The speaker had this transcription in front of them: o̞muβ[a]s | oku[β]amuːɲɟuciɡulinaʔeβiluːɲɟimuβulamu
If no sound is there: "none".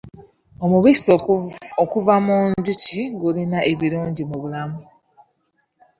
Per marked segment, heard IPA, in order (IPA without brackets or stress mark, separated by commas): i, v